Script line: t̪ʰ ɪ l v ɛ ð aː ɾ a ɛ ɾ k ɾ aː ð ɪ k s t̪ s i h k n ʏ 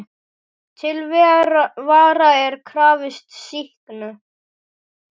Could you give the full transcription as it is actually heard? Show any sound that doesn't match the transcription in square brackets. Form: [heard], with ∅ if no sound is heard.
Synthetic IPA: t̪ʰ ɪ l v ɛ [v] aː ɾ a ɛ ɾ [kʰ] ɾ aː [v] ɪ [∅] s t̪ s i h k n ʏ